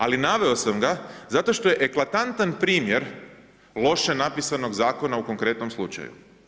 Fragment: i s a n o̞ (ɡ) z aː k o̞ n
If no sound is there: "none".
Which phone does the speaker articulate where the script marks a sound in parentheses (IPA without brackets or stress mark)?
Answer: ɡ